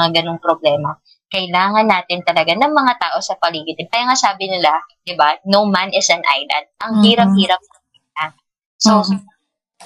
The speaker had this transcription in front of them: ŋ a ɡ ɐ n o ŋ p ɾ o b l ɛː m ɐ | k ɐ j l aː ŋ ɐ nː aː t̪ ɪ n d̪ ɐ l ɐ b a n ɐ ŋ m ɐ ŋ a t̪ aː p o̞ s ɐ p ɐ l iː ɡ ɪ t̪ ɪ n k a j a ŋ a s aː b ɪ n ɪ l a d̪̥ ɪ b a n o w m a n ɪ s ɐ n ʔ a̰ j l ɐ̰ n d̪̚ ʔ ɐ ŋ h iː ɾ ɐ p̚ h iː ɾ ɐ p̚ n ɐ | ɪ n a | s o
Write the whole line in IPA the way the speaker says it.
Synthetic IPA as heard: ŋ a ɡ ɐ n o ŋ p ɾ o b l ɛː m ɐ | k ɐ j l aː ŋ ɐ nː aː t̪ ɪ n t̪ ɐ l ɐ ɡ a n ɐ ŋ m ɐ ŋ a t̪ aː ʔ o̞ s ɐ p ɐ l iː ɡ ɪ t̪ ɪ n k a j a ŋ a s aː b ɪ n ɪ l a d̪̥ ɪ b a n o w m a n ɪ s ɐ n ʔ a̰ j l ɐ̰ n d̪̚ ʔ ɐ ŋ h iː ɾ ɐ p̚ h iː ɾ ɐ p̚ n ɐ | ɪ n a | s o